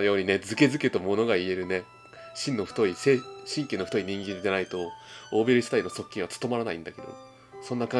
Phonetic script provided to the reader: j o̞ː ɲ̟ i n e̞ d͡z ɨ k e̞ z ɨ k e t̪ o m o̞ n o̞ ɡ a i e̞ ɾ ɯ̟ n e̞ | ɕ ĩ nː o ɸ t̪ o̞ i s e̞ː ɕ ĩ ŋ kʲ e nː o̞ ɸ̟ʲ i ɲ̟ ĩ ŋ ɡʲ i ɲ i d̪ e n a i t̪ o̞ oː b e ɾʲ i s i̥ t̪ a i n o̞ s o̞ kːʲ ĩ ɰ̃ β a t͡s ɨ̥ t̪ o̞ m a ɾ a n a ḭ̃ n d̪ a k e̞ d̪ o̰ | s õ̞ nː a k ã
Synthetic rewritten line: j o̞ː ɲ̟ i n e̞ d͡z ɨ k e̞ z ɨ k e t̪ o m o̞ n o̞ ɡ a i e̞ ɾ ɯ̟ n e̞ | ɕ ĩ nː o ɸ t̪ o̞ i s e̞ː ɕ ĩ ŋ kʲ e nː o̞ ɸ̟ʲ i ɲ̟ ĩ ŋ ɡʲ i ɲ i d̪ e n a i t̪ o̞ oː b e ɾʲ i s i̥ t̪ a i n o̞ s o̞ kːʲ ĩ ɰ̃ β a t͡s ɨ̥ t̪ o̞ m a ɾ a n a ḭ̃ n d̪ a k e̞ d̪ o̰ | s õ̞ nː a k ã